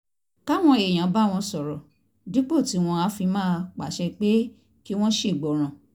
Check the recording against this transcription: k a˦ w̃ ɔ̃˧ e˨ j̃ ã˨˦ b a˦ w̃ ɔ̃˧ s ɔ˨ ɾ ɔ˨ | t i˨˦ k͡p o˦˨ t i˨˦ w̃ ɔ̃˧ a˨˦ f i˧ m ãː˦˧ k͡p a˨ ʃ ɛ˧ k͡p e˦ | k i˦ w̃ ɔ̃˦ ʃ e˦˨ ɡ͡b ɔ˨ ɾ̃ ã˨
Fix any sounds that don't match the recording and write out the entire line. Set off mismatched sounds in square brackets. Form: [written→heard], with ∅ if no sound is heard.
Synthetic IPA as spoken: k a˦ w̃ ɔ̃˧ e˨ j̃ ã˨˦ b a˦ w̃ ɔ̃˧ s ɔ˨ ɾ ɔ˨ | [t→d] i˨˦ k͡p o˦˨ t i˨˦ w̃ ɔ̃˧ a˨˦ f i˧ m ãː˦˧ k͡p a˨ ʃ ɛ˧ k͡p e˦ | k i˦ w̃ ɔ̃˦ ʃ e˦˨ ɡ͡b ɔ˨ ɾ̃ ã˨